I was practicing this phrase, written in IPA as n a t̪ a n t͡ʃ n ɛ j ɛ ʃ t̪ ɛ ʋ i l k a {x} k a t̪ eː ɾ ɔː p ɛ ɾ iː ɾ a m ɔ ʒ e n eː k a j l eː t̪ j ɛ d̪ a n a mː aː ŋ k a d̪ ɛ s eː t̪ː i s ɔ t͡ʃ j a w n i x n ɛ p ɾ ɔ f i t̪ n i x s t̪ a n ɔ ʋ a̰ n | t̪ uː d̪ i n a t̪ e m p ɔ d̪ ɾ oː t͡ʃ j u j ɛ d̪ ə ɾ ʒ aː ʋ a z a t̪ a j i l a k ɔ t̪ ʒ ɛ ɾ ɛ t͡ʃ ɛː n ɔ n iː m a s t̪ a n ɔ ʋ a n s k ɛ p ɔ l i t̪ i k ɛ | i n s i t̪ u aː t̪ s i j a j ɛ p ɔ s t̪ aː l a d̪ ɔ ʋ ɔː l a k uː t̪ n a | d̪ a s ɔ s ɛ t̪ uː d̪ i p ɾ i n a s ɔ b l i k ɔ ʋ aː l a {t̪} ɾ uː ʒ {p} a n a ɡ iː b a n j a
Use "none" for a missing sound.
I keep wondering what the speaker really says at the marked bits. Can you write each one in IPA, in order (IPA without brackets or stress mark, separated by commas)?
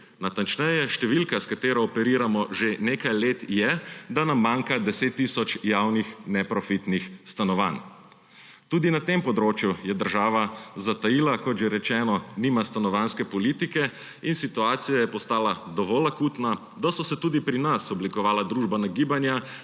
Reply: s, d̪, b